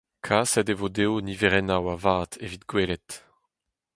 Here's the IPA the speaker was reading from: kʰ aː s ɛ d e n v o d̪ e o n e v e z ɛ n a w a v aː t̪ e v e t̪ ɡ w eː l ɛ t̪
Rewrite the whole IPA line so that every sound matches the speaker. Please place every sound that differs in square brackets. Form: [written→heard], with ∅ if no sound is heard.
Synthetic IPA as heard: kʰ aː s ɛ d e [n→∅] v o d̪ e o n [e→i] v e [z→ʁ] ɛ n a w a v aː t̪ e v [e→i] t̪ ɡ w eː l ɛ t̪

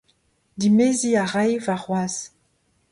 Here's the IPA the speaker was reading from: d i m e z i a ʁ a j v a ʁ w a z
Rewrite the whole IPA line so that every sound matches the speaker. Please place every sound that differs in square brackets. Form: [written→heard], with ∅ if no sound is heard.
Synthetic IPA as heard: d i m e z i a ʁ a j v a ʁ w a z

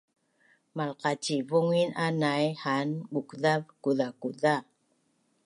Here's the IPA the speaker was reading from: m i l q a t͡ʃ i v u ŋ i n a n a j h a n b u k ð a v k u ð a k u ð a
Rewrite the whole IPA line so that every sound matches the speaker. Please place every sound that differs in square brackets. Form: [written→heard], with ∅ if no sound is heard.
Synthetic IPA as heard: m [i→a] l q a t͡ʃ i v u ŋ i n a n a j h a n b u k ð a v k u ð a k u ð a

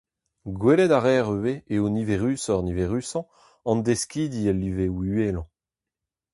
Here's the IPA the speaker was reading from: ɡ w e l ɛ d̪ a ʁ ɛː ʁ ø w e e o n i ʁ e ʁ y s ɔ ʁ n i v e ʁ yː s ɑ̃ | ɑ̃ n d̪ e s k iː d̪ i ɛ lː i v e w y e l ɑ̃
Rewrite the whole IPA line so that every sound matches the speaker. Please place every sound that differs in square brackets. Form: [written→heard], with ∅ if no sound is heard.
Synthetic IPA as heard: ɡ w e l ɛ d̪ a ʁ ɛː ʁ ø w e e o n i [ʁ→v] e ʁ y s ɔ ʁ n i v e ʁ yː s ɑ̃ | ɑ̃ n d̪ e s k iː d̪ i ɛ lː i v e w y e l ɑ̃

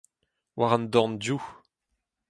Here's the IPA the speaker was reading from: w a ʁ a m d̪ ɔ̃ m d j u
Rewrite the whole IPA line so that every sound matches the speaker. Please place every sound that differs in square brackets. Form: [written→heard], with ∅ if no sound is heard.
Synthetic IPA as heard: w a ʁ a [m→n] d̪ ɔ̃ [m→n] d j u

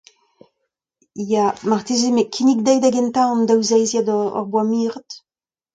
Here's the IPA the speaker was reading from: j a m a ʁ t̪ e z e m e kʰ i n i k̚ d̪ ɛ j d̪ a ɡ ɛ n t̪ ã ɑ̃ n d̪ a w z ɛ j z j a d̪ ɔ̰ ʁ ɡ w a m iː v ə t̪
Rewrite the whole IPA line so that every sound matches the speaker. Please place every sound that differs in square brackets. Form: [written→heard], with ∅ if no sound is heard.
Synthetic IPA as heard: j a m a ʁ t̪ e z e m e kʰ i n i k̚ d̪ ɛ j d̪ a ɡ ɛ n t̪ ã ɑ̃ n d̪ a w z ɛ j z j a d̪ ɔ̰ ʁ [ɡ→b] w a m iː [v→ʁ] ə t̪

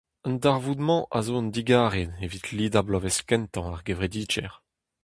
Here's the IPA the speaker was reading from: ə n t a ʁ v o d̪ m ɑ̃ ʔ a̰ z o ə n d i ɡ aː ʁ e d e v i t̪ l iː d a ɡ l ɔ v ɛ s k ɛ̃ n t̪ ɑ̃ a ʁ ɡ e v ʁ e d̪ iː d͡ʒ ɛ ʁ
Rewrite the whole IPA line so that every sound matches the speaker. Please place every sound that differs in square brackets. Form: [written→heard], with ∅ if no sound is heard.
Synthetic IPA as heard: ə n [t→d] a ʁ v [o→u] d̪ m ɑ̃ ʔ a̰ z o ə n d i ɡ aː ʁ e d e v i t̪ l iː d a [ɡ→b] l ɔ v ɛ s k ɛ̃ n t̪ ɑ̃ a ʁ ɡ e v ʁ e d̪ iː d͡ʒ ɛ ʁ

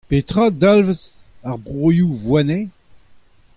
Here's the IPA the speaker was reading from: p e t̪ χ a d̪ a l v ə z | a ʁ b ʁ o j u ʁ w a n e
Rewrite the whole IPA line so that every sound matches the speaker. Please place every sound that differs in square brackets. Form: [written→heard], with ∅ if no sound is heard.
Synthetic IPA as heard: p e t̪ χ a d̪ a l v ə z | a ʁ b ʁ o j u [ʁ→v] w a n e

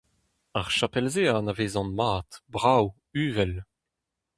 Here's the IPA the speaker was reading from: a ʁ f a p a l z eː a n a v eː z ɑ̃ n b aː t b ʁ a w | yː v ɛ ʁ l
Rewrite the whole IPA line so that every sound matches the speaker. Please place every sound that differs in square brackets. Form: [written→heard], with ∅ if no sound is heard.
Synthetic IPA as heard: a ʁ [f→ʃ] a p [a→ɛ] l z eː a n a v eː z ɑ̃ n [b→m] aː t b ʁ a w | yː v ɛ [ʁ→∅] l

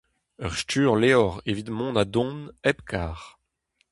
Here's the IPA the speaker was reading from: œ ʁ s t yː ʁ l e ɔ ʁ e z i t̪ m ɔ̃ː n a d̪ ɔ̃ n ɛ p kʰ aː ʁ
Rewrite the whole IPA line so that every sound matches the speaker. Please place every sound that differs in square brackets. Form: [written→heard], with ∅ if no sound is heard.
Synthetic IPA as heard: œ ʁ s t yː ʁ l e ɔ ʁ e [z→v] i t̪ m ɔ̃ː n a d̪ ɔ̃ n ɛ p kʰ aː ʁ

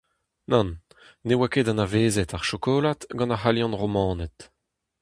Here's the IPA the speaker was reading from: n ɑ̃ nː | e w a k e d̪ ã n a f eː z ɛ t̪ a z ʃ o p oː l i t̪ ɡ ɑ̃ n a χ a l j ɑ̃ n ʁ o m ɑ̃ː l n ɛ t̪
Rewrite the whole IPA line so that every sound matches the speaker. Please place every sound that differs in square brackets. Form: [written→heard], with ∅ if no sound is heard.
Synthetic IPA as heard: n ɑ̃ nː | e w a k e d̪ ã n a [f→v] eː z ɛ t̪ a [z→ʁ] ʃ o [p→k] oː l [i→a] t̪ ɡ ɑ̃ n a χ a l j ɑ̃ n ʁ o m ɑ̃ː [l→∅] n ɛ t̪

